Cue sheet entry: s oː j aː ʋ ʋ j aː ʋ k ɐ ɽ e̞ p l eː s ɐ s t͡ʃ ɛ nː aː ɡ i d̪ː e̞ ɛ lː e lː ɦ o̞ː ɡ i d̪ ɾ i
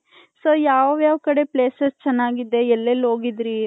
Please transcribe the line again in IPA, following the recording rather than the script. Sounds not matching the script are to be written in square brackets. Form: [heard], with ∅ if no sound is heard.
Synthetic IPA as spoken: s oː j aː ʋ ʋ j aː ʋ k ɐ ɽ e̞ p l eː s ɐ s t͡ʃ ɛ nː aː ɡ i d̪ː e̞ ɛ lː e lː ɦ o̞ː ɡ i d̪ ɾ i